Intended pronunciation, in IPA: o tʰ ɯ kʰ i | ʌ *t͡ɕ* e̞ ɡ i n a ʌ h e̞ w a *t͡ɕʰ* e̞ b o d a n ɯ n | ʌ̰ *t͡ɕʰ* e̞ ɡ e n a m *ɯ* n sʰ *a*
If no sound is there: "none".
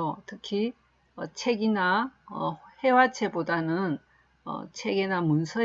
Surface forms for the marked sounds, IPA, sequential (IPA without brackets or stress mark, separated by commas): t͡ɕʰ, t͡ɕʰ, t͡ɕʰ, u, ʌ